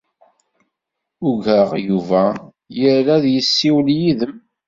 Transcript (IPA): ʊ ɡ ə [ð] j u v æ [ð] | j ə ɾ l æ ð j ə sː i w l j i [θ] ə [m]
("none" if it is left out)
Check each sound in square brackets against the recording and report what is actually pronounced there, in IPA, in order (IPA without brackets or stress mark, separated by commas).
ʁ, none, ð, m